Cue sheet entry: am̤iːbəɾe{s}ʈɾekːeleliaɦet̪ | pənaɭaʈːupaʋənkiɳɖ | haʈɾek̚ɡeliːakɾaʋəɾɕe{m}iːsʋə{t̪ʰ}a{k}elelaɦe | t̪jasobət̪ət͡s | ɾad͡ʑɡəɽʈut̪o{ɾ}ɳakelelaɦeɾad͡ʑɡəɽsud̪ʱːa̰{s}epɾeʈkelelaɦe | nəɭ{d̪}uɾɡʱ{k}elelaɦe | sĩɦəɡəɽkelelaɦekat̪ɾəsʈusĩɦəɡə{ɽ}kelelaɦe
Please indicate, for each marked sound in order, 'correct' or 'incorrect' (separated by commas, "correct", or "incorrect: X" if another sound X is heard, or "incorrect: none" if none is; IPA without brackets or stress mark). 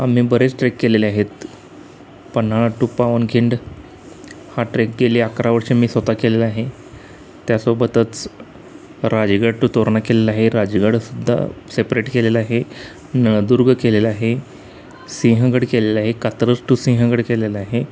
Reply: incorrect: t͡s, correct, incorrect: t̪, correct, correct, correct, correct, correct, correct